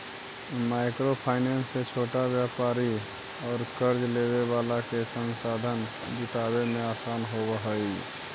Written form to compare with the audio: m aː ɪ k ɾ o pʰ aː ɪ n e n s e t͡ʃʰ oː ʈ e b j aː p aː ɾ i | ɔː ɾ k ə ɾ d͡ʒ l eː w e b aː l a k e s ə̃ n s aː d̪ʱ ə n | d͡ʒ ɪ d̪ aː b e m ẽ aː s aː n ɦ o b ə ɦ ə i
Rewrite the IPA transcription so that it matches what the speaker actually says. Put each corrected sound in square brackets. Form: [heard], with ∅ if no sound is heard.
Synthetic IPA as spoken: m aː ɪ k ɾ o pʰ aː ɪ n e n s e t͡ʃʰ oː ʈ [a] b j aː p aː ɾ i | ɔː ɾ k ə ɾ d͡ʒ l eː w e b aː l a k e s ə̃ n s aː d̪ʱ ə n | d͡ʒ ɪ [t̪] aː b e m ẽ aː s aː n ɦ o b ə ɦ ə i